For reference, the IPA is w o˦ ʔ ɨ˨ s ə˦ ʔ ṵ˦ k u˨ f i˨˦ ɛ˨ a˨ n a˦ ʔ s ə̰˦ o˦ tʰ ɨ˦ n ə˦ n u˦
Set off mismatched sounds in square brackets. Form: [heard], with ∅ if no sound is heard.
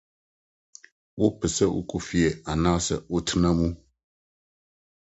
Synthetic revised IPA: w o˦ [p] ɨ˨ s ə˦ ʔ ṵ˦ k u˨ f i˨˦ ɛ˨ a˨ n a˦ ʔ s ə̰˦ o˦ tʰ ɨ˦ n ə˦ [m] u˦

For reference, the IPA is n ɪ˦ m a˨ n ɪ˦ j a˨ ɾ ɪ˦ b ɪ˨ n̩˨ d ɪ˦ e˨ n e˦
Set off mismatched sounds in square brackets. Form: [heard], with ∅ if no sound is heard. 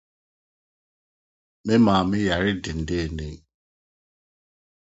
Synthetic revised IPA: [m] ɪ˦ m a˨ [m] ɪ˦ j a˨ ɾ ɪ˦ [d] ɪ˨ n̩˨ d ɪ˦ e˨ n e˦

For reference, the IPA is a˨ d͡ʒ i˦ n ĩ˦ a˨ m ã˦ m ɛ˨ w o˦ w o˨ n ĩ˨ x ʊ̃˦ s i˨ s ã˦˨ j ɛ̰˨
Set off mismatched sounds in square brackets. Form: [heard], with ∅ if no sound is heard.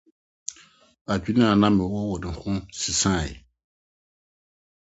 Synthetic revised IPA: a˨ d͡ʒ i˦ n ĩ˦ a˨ [n] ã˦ m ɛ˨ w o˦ w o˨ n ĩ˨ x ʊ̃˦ s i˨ s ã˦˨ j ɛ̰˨

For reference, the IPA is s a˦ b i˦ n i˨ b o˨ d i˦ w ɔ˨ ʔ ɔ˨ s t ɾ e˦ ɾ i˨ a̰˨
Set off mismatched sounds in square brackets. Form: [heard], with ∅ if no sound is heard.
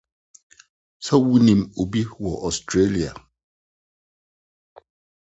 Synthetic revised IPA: s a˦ [w] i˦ n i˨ [m] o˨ [b] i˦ w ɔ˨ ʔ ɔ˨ s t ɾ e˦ [l] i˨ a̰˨

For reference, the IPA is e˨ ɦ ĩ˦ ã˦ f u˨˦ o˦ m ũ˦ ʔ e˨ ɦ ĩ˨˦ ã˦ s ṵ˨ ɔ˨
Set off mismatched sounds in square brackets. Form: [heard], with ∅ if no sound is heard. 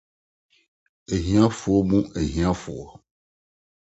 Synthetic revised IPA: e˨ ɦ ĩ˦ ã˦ f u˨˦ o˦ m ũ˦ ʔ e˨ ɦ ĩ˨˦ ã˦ [f] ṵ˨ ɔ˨

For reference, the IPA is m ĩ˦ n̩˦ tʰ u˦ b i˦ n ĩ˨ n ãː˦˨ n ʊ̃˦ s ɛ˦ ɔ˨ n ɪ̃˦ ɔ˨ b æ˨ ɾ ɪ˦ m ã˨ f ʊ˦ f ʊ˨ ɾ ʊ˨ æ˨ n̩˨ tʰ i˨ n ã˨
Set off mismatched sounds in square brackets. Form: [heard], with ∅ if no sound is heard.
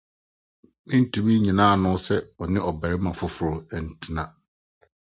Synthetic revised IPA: m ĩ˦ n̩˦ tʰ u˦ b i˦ [ɲ] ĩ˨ n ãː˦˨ n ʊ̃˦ s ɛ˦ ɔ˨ n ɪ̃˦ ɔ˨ b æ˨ ɾ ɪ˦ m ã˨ f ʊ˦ f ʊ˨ ɾ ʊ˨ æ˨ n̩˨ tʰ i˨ n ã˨

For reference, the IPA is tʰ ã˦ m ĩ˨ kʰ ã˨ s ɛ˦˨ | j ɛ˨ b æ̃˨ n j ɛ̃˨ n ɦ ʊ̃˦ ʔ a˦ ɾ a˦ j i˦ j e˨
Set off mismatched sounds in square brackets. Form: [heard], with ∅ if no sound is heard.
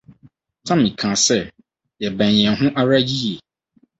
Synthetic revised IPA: tʰ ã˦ m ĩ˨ kʰ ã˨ s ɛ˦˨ | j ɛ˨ b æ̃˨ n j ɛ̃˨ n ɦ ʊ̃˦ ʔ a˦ ɾ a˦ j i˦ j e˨

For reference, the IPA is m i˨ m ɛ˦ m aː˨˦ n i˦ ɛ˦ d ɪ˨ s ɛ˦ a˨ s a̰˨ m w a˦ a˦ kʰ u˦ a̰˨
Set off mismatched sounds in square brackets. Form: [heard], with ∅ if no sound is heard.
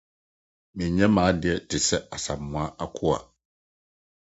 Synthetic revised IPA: m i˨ [ɲ] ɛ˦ m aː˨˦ [d] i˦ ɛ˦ [t] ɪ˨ s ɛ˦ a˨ s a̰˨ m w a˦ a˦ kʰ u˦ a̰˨

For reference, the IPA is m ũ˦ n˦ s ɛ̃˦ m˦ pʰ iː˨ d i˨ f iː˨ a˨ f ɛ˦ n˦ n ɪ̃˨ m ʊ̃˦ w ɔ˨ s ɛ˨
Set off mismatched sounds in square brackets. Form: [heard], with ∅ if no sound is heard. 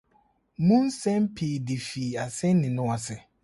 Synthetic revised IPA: m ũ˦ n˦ s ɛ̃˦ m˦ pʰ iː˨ d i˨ f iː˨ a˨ [s] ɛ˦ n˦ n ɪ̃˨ [n] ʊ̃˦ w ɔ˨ s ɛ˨

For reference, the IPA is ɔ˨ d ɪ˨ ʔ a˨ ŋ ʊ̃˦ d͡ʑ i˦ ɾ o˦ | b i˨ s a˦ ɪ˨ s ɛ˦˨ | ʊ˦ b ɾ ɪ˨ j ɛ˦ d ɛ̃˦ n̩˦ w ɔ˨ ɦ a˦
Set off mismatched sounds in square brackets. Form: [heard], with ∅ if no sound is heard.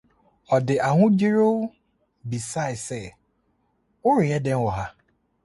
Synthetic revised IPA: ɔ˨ d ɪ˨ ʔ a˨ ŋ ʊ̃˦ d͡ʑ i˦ ɾ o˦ | b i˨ s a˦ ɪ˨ s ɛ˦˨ | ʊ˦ [∅] ɾ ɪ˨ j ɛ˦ d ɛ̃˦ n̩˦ w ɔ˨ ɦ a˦

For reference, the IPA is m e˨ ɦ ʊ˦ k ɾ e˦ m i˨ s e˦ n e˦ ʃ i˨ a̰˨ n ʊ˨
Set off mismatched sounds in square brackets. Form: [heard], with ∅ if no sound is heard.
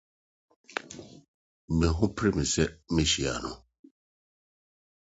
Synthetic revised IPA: m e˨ ɦ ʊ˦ [p] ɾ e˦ m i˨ s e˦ [m] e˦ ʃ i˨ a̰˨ n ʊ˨

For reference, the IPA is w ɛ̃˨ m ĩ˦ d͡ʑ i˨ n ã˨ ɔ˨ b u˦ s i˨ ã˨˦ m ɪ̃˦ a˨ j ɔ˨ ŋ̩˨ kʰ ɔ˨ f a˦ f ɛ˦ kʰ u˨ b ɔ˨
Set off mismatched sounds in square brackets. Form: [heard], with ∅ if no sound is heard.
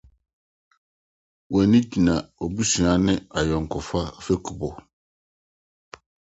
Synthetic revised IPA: w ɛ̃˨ [n] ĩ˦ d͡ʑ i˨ n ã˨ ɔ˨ b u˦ s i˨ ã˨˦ [n] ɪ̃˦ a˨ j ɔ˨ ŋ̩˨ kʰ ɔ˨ f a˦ f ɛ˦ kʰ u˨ b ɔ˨

